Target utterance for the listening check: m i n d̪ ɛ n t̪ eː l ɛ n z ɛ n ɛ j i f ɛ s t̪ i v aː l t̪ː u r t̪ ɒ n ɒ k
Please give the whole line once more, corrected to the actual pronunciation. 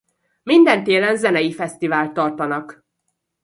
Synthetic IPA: m i n d̪ ɛ n t̪ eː l ɛ n z ɛ n ɛ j i f ɛ s t̪ i v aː l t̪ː ɒ r t̪ ɒ n ɒ k